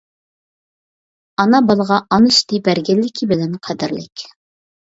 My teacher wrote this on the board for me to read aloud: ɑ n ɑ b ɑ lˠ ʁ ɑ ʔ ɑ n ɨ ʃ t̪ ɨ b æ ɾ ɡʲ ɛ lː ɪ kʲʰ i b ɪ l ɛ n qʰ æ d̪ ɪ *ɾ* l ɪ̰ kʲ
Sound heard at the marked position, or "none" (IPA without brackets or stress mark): ɾ